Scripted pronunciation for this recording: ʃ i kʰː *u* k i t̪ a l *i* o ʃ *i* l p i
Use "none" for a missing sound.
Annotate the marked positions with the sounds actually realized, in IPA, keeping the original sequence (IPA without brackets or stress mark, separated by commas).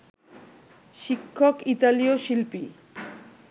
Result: o, i, i